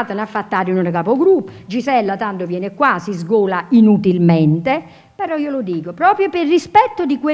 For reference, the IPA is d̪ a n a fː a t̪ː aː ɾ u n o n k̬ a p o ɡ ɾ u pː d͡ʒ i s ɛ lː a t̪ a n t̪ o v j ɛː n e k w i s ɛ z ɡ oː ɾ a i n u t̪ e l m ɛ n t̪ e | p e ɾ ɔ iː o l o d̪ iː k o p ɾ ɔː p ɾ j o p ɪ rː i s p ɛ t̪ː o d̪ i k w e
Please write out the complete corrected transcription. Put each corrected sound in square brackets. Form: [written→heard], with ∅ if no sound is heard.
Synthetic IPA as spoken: [d̪→t̪] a n a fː a t̪ː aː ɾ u n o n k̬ a p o ɡ ɾ u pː d͡ʒ i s ɛ lː a t̪ a n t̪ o v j ɛː n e k w [i→a] s [ɛ→i] z ɡ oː [ɾ→l] a i n u t̪ [e→i] l m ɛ n t̪ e | p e ɾ ɔ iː o l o d̪ iː k o p ɾ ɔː p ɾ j o p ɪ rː i s p ɛ t̪ː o d̪ i k w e